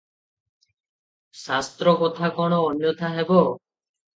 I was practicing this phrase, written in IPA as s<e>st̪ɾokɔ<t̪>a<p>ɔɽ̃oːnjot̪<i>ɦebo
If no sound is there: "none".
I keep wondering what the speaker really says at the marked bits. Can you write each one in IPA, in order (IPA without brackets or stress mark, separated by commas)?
a, t̪ʰ, k, a